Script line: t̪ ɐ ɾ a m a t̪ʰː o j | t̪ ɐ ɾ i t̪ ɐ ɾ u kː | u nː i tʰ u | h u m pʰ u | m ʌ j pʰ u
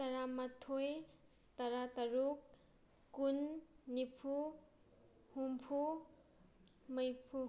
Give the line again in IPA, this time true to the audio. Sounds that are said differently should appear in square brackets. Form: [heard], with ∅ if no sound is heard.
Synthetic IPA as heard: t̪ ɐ ɾ a m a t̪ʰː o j | t̪ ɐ ɾ [a] t̪ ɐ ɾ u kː | u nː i [pʰ] u | h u m pʰ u | m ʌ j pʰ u